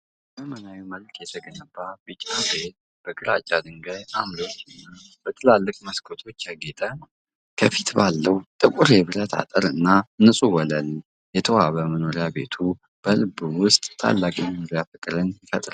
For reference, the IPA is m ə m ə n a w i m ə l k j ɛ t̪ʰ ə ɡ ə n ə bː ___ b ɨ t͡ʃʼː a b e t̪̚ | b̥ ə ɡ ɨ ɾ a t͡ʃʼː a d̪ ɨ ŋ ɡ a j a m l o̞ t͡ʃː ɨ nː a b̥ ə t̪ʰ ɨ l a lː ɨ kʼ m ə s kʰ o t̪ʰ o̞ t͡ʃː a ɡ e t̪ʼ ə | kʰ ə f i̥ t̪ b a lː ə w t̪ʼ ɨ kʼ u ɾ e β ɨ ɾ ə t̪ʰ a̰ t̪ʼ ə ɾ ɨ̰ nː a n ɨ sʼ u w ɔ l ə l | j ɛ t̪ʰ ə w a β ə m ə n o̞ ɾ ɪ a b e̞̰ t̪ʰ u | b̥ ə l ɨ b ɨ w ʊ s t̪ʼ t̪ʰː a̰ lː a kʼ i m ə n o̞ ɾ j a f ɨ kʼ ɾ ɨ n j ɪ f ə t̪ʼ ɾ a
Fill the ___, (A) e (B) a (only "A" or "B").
B